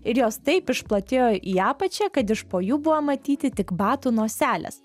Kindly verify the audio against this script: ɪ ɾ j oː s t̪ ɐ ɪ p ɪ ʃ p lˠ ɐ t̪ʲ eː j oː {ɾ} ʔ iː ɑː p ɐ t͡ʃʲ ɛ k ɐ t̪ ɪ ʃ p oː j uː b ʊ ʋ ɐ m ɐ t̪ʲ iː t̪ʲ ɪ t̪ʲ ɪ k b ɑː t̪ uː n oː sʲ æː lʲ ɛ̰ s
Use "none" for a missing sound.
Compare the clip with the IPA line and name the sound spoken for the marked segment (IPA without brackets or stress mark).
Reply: none